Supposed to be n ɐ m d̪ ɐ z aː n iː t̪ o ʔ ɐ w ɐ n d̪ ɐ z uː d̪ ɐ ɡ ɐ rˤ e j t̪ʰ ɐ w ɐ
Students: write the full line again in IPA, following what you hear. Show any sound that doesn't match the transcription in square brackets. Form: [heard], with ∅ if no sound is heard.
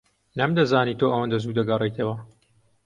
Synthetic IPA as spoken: n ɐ m d̪ ɐ z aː n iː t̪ o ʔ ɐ w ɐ n d̪ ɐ z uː d̪ ɐ ɡ ɐ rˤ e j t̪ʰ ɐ w ɐ